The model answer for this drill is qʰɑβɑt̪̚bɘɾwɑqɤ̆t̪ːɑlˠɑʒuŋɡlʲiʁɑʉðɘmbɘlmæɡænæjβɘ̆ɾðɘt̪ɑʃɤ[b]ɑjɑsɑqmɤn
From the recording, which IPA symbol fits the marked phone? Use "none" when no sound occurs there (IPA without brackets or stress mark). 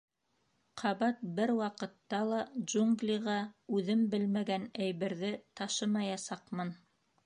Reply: m